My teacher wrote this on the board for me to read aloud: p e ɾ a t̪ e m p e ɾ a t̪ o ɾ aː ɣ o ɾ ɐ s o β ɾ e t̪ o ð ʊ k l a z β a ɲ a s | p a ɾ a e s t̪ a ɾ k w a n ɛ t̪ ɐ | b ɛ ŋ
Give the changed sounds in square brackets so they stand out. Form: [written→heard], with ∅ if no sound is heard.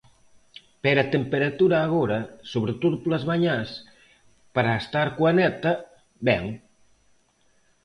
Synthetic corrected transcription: p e ɾ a t̪ e m p e ɾ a t̪ [o→u] ɾ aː ɣ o ɾ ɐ s o β ɾ e t̪ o ð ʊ [k→p] l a z β a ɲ a s | p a ɾ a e s t̪ a ɾ k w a n ɛ t̪ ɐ | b ɛ ŋ